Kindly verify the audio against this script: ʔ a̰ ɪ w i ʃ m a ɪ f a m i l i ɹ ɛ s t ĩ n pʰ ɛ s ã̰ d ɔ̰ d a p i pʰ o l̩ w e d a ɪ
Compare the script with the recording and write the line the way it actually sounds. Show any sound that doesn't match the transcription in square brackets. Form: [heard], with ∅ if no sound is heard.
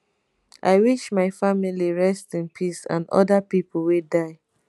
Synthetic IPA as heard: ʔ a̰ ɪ w i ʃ m a ɪ f a m i l i ɹ ɛ s t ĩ n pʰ [i] s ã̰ [n] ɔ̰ d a p i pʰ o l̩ w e d a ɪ